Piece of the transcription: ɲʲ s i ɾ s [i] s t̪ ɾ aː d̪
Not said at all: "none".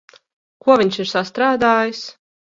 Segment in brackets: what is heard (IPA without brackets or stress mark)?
a